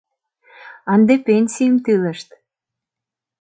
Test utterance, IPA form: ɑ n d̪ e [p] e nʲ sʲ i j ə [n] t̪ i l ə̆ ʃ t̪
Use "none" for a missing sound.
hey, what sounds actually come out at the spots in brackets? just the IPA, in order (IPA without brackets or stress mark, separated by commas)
p, m